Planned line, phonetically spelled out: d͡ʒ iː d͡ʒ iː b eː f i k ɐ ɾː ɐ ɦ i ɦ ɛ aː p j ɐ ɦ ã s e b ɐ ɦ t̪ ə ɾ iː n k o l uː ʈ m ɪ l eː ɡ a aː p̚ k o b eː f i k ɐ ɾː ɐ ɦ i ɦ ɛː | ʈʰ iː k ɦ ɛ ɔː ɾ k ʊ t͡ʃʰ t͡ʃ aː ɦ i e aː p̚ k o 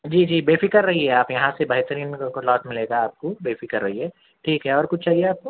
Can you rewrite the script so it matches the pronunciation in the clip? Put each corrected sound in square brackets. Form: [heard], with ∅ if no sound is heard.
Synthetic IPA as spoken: d͡ʒ iː d͡ʒ iː b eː f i k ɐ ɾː ɐ ɦ i ɦ ɛ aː p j ɐ ɦ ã s e b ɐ ɦ t̪ ə ɾ iː n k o l [ɔː] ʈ m ɪ l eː ɡ a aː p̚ k o b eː f i k ɐ ɾː ɐ ɦ i ɦ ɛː | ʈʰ iː k ɦ ɛ ɔː ɾ k ʊ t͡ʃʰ t͡ʃ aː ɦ i e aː p̚ k o